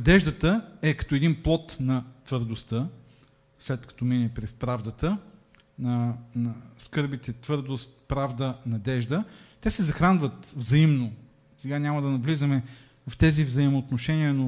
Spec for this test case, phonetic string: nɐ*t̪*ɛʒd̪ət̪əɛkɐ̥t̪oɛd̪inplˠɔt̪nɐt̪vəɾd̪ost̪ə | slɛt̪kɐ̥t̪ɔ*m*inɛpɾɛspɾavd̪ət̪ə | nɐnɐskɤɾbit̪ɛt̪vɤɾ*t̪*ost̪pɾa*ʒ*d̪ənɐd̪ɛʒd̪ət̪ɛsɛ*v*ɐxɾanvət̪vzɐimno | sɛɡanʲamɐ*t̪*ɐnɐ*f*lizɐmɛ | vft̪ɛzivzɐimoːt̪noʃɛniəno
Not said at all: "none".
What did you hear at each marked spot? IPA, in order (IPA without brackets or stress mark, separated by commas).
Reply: d̪, m, d̪, v, z, d̪, v